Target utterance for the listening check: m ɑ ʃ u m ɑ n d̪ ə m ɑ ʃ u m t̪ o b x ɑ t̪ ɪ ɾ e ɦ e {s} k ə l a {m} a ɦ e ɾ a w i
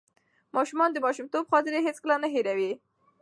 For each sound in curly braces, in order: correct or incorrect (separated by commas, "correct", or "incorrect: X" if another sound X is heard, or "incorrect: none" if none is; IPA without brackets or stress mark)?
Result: incorrect: t͡s, incorrect: n